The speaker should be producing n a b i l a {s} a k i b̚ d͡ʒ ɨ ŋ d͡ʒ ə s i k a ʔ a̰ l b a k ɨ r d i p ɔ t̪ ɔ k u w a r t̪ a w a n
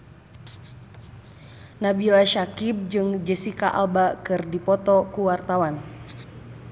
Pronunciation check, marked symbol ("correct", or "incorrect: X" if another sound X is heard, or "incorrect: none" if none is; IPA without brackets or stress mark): incorrect: ʃ